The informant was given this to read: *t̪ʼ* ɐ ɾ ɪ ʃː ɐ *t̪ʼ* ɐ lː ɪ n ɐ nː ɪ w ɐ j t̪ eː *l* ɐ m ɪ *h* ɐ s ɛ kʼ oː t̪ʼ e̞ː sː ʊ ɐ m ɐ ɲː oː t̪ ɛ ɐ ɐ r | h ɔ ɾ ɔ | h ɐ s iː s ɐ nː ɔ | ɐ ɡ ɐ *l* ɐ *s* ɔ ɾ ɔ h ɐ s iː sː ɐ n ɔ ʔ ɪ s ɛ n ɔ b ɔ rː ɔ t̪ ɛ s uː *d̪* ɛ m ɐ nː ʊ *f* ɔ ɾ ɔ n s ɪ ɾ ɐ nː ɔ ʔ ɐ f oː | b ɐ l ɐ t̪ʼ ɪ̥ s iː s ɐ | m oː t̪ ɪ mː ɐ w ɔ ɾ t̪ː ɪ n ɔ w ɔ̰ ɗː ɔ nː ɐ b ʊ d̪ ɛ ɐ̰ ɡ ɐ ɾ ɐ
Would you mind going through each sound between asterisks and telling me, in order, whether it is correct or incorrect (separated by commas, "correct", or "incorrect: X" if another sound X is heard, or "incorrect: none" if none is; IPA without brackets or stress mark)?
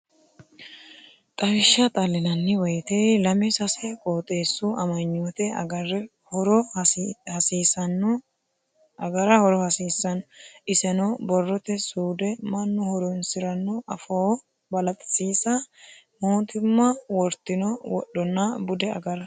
correct, correct, correct, incorrect: s, incorrect: ɾ, incorrect: h, correct, incorrect: h